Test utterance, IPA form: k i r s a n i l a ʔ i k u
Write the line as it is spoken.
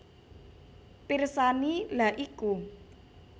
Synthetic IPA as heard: p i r s a n i l a ʔ i k u